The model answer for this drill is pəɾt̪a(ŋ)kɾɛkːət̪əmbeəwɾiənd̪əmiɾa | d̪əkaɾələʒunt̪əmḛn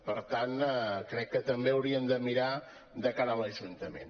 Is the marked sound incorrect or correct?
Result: incorrect